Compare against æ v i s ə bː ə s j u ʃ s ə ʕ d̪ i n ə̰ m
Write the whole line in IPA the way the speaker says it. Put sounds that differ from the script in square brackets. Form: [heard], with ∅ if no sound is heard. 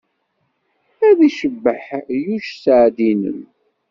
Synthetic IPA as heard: æ [ð] i [ʃ] ə bː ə [ħ] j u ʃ s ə ʕ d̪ i n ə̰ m